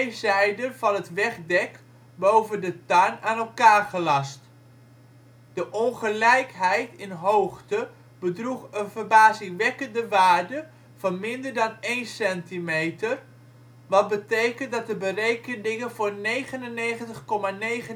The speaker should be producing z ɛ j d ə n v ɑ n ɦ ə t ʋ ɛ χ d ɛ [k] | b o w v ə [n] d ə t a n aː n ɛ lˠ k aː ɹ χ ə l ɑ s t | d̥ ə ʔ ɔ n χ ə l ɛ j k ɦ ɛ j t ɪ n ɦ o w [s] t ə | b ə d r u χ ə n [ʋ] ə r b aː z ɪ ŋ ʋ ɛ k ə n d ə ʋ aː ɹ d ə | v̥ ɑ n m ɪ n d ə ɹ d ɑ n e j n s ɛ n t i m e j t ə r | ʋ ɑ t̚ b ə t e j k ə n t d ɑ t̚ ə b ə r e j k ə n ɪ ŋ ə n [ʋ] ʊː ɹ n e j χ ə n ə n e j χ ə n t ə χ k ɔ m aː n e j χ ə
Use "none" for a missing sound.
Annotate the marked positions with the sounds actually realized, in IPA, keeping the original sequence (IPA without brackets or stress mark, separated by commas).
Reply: k, n, χ, v, v